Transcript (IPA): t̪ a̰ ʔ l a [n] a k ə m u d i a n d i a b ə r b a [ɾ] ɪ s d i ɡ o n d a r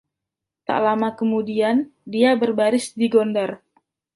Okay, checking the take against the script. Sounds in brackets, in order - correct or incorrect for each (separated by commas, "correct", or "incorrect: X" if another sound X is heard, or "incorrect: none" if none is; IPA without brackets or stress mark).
incorrect: m, correct